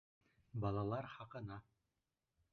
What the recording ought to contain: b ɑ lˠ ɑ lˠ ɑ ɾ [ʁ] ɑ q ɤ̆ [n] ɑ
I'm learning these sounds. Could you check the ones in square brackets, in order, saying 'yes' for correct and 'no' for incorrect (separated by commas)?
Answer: no, yes